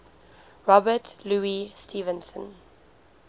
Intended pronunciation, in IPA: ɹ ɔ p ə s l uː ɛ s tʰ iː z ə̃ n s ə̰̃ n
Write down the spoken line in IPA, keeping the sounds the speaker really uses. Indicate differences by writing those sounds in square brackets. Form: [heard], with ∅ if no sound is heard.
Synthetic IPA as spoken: ɹ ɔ [b] ə [t] l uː [i] s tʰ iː [v] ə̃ n s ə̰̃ n